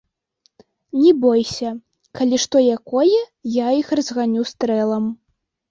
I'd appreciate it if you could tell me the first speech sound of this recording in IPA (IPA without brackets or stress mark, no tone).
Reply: nʲ